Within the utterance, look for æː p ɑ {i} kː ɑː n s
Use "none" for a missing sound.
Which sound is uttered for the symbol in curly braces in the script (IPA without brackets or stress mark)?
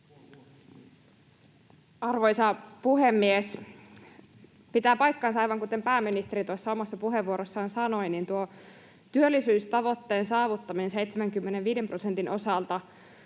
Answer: j